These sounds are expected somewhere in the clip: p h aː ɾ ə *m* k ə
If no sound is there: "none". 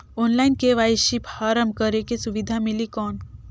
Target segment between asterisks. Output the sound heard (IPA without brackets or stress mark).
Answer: m